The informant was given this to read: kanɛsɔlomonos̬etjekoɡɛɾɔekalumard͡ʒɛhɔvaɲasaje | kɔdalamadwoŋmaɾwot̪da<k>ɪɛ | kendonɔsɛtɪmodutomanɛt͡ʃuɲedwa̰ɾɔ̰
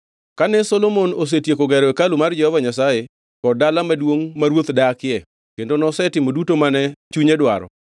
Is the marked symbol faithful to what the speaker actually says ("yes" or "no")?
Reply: yes